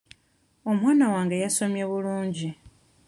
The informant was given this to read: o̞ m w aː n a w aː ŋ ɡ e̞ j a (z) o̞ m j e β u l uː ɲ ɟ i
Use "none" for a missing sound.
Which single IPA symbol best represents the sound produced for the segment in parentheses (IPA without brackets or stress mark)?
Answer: s